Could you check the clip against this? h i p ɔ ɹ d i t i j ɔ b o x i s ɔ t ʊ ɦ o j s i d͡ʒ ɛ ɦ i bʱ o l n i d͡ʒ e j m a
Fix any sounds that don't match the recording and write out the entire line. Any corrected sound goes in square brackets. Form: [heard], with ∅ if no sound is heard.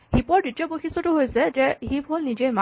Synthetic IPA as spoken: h i p ɔ ɹ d i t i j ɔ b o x i s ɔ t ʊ ɦ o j s [ɛ] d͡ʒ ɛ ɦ i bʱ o l n i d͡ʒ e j m a

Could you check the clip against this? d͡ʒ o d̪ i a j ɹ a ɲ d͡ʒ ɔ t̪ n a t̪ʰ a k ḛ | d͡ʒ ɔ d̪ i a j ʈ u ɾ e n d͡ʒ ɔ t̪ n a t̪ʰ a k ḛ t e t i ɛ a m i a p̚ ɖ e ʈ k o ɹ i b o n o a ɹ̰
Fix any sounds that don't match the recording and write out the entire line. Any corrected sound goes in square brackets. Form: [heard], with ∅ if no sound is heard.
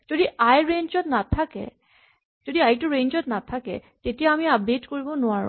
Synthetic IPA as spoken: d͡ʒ o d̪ i a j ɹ [e] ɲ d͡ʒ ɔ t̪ n a t̪ʰ a k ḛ | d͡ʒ [o] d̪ i a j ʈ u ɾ e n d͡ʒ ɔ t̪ n a t̪ʰ a k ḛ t e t i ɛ a m i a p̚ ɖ e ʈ k o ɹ i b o n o a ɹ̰

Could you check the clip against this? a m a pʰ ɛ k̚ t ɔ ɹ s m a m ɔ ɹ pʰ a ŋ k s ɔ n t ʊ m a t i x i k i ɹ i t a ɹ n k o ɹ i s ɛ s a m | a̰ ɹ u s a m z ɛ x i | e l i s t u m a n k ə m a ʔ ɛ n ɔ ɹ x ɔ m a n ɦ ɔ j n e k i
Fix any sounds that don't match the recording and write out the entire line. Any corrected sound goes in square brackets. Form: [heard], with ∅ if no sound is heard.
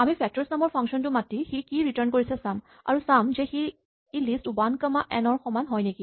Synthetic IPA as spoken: a m [i] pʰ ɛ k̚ t ɔ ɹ s [n] a m ɔ ɹ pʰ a ŋ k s ɔ n t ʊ m a t i x i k i ɹ i t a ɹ n k o ɹ i s ɛ s a m | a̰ ɹ u s a m z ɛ x i | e l i s t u [b] a n k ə m a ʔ ɛ n ɔ ɹ x ɔ m a n ɦ ɔ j n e k i

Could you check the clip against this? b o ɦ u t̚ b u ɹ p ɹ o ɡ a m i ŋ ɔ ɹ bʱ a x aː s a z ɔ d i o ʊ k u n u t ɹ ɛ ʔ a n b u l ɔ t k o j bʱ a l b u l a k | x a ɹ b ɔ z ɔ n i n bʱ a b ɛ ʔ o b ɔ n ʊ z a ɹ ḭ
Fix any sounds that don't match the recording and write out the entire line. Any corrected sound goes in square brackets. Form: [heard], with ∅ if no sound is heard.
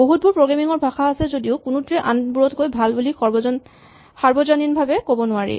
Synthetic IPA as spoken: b o ɦ u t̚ b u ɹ p ɹ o ɡ a m i ŋ ɔ ɹ bʱ a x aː s [ɛ] z [o] d i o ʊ k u n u t ɹ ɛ ʔ a n b u [ɹ] ɔ t k o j bʱ a l b u l [i] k | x a ɹ b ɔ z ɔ n i n bʱ a b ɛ [k] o b ɔ n ʊ [∅] a ɹ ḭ

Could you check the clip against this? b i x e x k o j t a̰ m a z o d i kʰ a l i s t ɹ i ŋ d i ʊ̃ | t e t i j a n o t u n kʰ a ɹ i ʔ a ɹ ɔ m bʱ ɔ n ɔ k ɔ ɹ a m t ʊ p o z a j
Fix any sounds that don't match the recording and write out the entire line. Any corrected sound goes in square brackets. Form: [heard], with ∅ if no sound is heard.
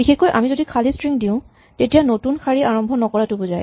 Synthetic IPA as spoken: b i x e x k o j [ʔ] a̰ m [i] z o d i kʰ a l i s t ɹ i ŋ d i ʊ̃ | t e t i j a n o t u n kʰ a ɹ i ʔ a ɹ ɔ m bʱ ɔ n ɔ k ɔ ɹ a [∅] t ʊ [b] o z a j

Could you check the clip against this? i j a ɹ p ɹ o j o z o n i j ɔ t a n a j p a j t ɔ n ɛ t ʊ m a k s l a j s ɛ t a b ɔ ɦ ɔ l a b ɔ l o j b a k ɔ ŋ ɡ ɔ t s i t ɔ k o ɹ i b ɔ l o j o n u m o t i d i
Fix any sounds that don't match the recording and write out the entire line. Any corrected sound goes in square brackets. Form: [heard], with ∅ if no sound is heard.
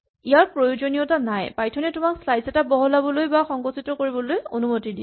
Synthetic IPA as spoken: i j a ɹ p ɹ o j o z o n i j ɔ t a n a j p a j [tʰ] ɔ n ɛ t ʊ m a k s l a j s ɛ t a b ɔ ɦ ɔ l a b ɔ l o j b a [x] ɔ ŋ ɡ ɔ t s i t ɔ k o ɹ i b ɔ l o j o n u m o t i d i

